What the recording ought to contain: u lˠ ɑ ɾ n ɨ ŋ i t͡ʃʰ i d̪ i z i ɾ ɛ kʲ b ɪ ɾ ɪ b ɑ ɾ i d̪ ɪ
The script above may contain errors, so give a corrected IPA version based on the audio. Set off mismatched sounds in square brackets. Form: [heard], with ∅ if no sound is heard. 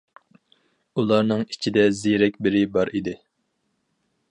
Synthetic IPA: u lˠ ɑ ɾ n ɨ ŋ i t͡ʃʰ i d̪ [ɛ] z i ɾ ɛ kʲ b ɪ ɾ ɪ b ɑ ɾ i d̪ ɪ